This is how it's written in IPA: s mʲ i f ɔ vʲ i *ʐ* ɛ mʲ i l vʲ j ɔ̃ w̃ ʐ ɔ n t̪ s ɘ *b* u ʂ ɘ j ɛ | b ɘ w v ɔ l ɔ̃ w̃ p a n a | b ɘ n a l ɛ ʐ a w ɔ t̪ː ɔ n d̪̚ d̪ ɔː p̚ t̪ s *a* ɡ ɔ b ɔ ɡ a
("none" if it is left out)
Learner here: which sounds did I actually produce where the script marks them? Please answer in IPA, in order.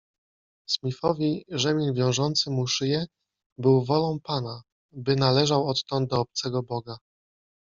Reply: ʐ, m, ɛ

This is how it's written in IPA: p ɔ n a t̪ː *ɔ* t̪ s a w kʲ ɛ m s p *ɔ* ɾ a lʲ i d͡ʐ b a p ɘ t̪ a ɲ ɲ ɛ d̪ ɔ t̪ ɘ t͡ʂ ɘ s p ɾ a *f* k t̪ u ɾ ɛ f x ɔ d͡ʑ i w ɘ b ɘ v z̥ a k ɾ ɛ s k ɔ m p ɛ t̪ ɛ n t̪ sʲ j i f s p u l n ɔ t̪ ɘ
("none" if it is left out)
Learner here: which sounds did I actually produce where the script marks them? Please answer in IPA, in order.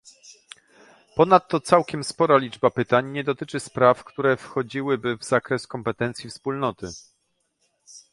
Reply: ɔ, ɔ, f

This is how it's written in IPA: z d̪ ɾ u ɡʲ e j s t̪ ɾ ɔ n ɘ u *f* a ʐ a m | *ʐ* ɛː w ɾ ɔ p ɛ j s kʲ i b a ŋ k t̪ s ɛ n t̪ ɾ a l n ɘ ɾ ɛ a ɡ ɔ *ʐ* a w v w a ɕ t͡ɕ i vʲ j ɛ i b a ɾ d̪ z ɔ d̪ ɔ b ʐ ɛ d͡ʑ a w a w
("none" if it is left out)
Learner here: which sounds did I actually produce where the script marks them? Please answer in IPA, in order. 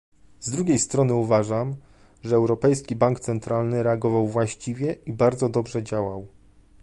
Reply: v, ʐ, v

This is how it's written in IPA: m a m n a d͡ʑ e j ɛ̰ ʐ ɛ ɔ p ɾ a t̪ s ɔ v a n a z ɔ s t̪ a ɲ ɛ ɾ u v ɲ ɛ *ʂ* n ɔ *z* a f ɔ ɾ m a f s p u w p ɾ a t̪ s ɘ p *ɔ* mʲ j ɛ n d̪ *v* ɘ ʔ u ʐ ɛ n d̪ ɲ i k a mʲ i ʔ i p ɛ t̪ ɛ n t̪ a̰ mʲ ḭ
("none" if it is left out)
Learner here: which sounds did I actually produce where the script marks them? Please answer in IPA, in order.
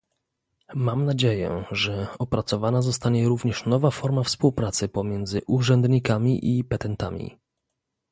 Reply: ʂ, v, ɔ, z

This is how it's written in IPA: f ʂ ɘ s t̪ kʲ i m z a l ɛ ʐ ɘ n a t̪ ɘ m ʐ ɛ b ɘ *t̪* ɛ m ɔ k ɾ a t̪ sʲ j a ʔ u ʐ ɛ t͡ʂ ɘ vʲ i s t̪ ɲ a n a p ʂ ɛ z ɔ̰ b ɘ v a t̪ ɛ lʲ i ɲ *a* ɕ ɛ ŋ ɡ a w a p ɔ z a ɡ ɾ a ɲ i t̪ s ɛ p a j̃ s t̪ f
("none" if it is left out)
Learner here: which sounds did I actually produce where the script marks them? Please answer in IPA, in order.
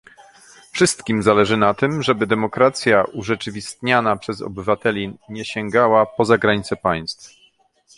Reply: d̪, ɛ

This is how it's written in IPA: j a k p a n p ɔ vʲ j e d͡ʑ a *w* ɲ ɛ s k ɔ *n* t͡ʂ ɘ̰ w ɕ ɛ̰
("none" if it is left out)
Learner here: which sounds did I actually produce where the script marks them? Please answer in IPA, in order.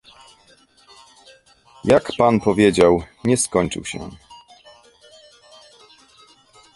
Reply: w, ɲ

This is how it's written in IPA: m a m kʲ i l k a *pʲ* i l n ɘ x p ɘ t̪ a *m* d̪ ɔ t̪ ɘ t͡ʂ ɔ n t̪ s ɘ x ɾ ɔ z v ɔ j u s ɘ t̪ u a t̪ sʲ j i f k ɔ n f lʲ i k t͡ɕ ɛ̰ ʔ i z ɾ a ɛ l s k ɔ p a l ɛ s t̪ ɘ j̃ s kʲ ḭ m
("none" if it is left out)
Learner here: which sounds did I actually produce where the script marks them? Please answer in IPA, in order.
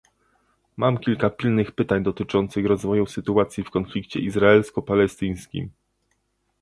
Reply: pʲ, ɲ

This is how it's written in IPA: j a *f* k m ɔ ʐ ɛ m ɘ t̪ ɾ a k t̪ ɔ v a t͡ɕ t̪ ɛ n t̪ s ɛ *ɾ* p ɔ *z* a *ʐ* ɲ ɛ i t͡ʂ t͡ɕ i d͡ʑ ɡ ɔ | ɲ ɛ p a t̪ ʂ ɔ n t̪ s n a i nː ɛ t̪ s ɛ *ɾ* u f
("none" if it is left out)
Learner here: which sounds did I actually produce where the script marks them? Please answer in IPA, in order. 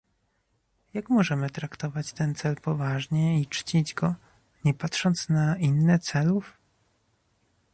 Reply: none, l, v, ʐ, l

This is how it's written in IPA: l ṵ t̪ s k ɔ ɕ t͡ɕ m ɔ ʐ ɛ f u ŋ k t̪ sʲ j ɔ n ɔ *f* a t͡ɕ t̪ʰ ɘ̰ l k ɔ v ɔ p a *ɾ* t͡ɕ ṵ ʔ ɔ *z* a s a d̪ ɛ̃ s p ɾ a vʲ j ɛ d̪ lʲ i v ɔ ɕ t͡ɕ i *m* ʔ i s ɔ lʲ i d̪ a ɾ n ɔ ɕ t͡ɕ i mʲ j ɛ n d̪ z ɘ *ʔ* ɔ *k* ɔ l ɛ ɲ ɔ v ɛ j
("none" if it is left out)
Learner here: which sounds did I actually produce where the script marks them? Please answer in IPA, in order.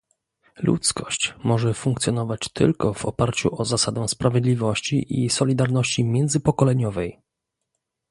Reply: v, ɾ, z, none, p, k

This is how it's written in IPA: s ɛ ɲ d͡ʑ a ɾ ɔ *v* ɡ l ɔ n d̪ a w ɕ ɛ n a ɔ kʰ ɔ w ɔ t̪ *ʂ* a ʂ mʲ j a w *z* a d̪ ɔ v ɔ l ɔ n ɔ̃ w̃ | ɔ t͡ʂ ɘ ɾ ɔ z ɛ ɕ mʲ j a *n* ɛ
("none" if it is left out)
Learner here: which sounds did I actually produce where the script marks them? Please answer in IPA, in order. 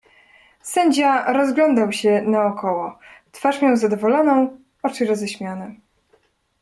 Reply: z, f, z, n

